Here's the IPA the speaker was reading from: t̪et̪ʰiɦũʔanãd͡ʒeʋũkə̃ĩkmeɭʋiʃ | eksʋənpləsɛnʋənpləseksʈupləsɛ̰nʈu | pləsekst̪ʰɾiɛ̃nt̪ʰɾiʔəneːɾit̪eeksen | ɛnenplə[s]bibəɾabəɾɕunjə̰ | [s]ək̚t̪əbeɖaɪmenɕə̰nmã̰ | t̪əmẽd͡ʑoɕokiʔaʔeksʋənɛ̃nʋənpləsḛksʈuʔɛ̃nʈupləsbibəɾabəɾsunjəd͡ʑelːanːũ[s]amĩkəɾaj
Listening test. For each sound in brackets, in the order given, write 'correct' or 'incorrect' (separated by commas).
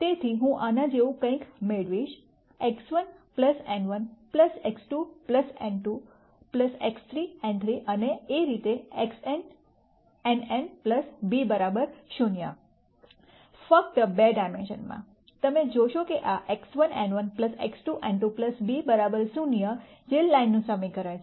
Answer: correct, incorrect, correct